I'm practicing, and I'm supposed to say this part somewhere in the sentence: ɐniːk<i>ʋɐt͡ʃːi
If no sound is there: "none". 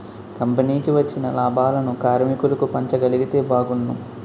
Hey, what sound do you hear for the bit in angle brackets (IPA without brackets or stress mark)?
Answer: i